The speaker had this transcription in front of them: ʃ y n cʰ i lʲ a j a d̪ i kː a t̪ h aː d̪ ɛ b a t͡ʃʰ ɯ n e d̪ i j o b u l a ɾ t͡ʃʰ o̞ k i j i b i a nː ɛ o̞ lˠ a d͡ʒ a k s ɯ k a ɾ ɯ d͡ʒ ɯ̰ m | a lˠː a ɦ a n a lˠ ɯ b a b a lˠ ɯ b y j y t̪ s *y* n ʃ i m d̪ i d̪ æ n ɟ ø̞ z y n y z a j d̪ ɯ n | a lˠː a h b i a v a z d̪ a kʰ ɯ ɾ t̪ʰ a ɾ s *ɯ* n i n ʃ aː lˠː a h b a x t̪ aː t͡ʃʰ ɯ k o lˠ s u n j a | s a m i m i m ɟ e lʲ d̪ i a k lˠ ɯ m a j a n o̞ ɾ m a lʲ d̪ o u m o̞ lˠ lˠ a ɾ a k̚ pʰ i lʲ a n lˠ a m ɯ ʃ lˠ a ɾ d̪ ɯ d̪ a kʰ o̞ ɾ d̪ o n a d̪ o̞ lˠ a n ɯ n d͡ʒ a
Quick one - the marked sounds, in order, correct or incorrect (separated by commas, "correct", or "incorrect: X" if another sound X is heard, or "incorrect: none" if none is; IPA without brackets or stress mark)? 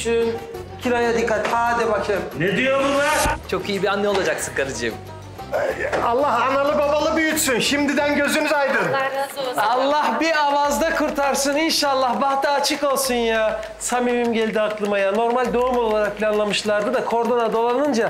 correct, correct